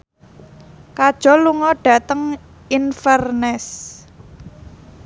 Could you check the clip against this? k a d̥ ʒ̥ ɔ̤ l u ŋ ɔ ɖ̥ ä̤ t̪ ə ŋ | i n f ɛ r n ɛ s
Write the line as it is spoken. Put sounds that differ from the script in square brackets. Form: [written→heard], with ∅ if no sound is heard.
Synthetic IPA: k a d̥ ʒ̥ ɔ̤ l u ŋ ɔ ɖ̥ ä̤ t̪ ə ŋ | i n f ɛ r n ɛ s